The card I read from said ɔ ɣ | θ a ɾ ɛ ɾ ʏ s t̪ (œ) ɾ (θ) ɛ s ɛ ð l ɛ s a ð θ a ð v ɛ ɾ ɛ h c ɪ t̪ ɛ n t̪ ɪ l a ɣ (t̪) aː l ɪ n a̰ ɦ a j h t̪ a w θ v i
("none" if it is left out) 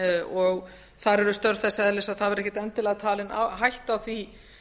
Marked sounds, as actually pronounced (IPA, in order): œ, θ, t̪ʰ

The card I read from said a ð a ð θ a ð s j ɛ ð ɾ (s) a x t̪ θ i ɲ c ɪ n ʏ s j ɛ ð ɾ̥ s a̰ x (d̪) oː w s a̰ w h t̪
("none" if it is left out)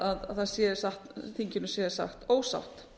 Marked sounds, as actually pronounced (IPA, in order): s, t̪

